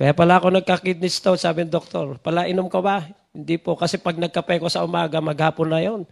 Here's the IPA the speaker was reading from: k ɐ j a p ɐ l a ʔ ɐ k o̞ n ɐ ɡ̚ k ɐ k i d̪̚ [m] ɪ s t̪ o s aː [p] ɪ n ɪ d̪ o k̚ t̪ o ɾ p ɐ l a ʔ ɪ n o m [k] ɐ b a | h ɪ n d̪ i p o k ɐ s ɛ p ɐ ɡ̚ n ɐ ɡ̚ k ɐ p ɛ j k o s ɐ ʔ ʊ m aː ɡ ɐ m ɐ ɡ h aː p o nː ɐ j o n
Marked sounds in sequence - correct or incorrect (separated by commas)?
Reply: incorrect, incorrect, correct